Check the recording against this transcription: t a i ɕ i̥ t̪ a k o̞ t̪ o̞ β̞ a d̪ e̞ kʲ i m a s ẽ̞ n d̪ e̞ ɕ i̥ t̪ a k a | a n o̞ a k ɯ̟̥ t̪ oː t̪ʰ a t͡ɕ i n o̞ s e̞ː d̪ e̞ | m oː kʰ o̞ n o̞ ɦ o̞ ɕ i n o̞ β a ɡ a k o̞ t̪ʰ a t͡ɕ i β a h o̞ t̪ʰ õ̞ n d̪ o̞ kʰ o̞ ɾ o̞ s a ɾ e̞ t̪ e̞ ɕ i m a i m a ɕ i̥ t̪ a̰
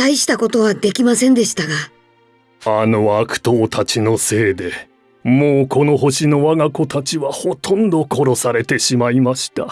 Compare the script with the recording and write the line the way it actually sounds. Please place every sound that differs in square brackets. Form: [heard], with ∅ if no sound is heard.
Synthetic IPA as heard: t a i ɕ i̥ t̪ a k o̞ t̪ o̞ β̞ a d̪ e̞ kʲ i m a s ẽ̞ n d̪ e̞ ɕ i̥ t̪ a [ɡ] a | a n o̞ a k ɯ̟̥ t̪ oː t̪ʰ a t͡ɕ i n o̞ s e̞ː d̪ e̞ | m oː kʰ o̞ n o̞ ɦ o̞ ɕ i n o̞ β a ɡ a k o̞ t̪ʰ a t͡ɕ i β a h o̞ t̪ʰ õ̞ n d̪ o̞ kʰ o̞ ɾ o̞ s a ɾ e̞ t̪ e̞ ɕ i m a i m a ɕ i̥ t̪ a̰